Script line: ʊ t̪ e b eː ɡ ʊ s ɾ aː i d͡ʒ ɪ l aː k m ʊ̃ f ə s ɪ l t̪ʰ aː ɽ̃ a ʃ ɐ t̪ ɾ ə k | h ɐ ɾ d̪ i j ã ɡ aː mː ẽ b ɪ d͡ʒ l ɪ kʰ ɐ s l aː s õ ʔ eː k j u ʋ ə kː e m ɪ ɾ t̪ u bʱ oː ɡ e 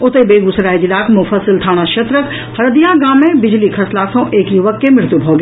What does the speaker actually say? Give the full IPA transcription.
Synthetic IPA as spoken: ʊ t̪ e b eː ɡ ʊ s ɾ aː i d͡ʒ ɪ l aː k m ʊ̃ f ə s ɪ l t̪ʰ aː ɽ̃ a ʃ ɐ t̪ ɾ ə k | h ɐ ɾ d̪ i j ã ɡ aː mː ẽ b ɪ d͡ʒ l i kʰ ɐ s l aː s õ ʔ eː k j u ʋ ə kː e m ɪ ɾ t̪ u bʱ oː ɡ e

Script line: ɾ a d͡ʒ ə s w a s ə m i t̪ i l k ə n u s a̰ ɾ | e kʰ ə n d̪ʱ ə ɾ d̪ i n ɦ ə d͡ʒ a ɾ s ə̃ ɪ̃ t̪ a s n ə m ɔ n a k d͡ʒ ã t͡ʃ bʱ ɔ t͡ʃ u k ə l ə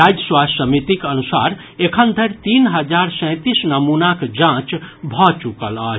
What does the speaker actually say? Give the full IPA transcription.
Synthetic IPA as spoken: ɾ a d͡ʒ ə s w a s ə m i t̪ i k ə n u s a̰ ɾ | e kʰ ə n d̪ʱ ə ɾ t̪ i n ɦ ə d͡ʒ a ɾ s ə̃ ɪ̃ t̪ i s n ə m u n a k d͡ʒ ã t͡ʃ bʱ ɔ t͡ʃ u k ə l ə

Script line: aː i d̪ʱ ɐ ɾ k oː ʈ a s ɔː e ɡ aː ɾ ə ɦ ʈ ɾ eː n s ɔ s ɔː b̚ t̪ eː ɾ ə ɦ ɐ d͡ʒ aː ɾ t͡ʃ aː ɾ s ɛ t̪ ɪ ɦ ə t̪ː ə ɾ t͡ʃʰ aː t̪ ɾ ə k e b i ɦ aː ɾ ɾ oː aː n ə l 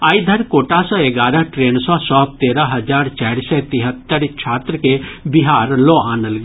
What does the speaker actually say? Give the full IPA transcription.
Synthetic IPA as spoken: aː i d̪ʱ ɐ ɾ k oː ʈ a s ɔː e ɡ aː ɾ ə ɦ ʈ ɾ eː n s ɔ s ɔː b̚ t̪ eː ɾ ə ɦ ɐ d͡ʒ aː ɾ t͡ʃ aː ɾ s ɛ t̪ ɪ ɦ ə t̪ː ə ɾ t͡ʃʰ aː t̪ ɾ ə k e b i ɦ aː ɾ l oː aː n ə l

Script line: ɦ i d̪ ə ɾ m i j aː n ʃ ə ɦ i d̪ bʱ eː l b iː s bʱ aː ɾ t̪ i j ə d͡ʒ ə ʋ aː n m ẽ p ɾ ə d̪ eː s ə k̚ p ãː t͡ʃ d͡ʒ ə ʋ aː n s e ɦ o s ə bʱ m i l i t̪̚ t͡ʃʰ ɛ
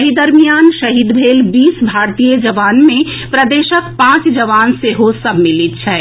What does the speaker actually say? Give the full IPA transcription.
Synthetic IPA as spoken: ɦ i d̪ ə ɾ m i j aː n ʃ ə ɦ i d̪ bʱ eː l b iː s bʱ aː ɾ t̪ i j ə d͡ʒ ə ʋ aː n m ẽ p ɾ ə d̪ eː ʃ ə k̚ p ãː t͡ʃ d͡ʒ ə ʋ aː n s e ɦ o s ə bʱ m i l i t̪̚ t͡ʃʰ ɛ

